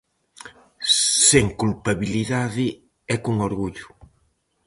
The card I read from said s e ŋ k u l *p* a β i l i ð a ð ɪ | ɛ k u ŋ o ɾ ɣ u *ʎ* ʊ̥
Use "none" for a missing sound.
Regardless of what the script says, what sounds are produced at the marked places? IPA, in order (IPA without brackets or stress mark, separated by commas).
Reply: p, ʎ